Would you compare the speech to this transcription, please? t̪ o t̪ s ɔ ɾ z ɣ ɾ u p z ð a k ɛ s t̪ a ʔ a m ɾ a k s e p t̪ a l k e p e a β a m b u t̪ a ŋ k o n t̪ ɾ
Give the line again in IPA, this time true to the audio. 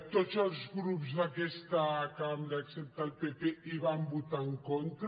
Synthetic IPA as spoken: t̪ o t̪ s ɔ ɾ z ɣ ɾ u p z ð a k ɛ s t̪ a k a m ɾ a k s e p t̪ a l p e p e i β a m b u t̪ a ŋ k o n t̪ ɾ